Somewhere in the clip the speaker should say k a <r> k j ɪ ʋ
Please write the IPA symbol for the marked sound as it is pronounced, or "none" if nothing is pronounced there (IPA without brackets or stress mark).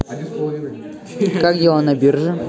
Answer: none